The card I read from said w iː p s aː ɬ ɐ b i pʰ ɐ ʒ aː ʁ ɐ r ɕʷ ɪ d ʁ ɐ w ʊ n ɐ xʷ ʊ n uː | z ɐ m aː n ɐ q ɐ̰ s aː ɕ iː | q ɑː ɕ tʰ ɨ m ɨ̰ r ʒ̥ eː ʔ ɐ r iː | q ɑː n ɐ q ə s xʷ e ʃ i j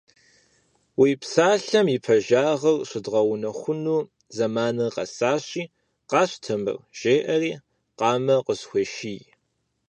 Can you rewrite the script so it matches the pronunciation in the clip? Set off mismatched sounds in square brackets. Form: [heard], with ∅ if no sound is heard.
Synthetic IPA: w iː p s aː ɬ ɐ [m] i pʰ ɐ ʒ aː ʁ ɐ r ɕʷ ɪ d ʁ ɐ w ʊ n ɐ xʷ ʊ n uː | z ɐ m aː n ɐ q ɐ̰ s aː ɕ iː | q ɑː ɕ tʰ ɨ m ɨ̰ r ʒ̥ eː ʔ ɐ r iː | q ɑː [m] ɐ q ə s xʷ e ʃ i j